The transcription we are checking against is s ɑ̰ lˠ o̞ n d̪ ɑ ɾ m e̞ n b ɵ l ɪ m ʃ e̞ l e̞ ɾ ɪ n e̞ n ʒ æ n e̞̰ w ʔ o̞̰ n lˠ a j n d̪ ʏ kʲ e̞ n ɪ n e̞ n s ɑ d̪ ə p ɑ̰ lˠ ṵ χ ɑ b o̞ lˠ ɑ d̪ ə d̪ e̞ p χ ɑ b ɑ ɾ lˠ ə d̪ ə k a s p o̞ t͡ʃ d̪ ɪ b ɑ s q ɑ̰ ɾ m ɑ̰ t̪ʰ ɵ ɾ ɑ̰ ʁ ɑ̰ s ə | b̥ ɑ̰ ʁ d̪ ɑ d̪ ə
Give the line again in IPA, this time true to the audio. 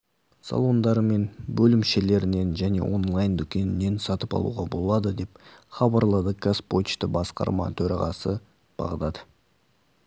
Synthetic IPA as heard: s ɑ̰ lˠ o̞ n d̪ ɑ ɾ m e̞ n b ɵ l ɪ m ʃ e̞ l e̞ ɾ ɪ n e̞ n ʒ æ n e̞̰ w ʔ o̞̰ n lˠ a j n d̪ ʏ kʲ e̞ n ɪ n e̞ n s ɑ t̪ ə p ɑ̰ lˠ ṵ ʁ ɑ b o̞ lˠ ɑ d̪ ə d̪ e̞ p χ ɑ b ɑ ɾ lˠ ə d̪ ə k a s p o̞ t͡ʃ t̪ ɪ b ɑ s q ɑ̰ ɾ m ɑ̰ t̪ʰ ɵ ɾ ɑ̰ ʁ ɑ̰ s ə | b̥ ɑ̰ ʁ d̪ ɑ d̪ ə